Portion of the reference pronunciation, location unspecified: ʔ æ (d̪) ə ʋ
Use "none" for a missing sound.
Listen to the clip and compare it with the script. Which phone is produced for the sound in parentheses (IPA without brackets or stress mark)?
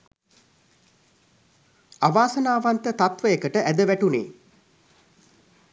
d̪